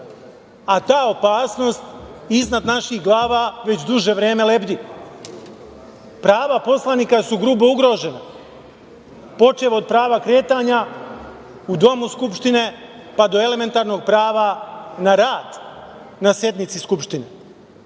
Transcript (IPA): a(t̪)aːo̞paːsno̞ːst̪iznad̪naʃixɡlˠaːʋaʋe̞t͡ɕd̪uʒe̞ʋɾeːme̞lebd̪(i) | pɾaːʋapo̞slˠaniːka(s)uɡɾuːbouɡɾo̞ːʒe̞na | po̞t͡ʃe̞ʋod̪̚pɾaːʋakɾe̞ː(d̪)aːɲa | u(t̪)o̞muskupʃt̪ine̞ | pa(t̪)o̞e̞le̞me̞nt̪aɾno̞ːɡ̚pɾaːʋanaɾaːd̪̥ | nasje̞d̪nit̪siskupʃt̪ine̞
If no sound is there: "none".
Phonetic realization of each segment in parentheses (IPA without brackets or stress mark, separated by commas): t̪, i, s, t̪, d̪, d̪